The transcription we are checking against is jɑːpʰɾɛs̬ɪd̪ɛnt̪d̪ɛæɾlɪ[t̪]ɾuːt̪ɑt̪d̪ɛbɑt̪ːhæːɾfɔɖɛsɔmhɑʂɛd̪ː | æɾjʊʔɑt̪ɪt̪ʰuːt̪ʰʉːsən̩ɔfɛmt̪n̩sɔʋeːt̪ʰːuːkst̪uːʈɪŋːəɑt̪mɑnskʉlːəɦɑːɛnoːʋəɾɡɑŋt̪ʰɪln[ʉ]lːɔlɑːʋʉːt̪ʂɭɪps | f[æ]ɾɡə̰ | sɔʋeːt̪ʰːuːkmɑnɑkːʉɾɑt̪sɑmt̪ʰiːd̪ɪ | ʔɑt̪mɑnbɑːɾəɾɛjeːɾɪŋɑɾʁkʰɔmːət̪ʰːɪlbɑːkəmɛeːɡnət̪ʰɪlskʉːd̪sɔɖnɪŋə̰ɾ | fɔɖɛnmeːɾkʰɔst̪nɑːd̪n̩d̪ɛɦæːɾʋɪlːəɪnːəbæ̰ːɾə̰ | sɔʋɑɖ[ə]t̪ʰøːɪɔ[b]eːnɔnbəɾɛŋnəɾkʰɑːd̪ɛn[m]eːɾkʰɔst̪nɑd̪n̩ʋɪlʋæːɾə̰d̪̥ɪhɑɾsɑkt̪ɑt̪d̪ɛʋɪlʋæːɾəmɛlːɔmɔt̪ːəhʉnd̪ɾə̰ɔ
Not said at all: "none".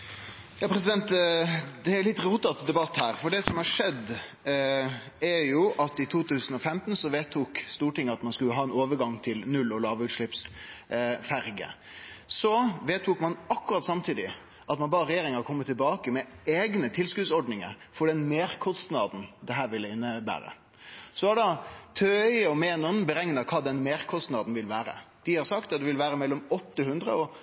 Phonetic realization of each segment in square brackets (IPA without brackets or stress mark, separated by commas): t̪, ʉ, æ, ɑ, m, m